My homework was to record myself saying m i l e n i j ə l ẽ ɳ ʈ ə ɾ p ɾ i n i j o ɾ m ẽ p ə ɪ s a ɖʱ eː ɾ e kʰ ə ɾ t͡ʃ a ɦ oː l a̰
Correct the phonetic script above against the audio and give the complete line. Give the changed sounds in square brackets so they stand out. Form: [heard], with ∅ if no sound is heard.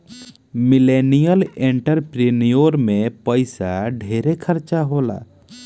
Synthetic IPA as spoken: m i l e n i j ə l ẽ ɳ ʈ ə ɾ p ɾ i n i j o ɾ m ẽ p ə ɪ s a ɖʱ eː ɾ e kʰ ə ɾ t͡ʃ a ɦ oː l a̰